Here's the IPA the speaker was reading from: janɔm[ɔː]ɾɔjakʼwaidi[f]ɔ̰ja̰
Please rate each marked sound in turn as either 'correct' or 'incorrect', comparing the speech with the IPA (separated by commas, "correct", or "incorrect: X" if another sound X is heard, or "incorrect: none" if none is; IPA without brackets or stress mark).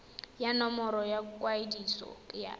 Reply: incorrect: ɔ, incorrect: s